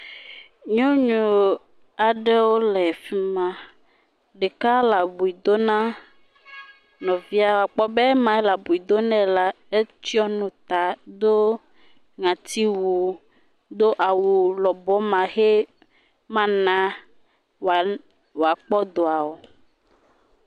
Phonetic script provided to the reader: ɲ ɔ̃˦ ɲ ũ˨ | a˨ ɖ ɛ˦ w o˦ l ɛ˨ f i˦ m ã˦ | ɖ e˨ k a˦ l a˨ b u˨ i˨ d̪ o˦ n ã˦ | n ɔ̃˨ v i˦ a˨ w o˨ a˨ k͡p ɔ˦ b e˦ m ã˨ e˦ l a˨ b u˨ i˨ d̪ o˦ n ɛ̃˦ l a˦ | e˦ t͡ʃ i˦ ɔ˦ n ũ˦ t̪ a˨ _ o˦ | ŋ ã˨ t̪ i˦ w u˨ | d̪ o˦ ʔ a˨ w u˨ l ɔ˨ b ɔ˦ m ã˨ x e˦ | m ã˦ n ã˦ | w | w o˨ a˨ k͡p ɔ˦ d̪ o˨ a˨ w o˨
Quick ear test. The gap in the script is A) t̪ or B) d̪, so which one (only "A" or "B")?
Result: B